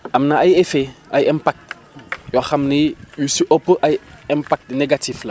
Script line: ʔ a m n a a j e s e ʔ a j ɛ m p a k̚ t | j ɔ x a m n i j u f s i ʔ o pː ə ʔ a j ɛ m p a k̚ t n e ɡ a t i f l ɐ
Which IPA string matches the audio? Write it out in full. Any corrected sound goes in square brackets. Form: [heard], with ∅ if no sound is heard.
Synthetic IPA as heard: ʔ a m n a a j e [f] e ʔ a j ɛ m p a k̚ t | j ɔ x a m n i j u [∅] s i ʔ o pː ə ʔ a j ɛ m p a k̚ t n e ɡ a t i f l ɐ